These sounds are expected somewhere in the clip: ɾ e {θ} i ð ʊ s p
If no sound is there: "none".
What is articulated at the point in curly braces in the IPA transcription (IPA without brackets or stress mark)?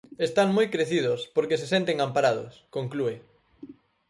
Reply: θ